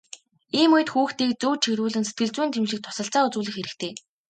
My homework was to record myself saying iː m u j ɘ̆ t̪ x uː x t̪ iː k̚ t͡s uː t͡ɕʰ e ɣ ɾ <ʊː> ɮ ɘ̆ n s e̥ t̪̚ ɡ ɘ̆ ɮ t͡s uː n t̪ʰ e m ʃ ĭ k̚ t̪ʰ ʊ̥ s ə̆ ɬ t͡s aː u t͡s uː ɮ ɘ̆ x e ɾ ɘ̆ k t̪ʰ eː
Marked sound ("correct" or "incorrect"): incorrect